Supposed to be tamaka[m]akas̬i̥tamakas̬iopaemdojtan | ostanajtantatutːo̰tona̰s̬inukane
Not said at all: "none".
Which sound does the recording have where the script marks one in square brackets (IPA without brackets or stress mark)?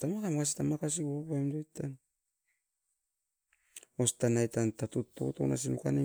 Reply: m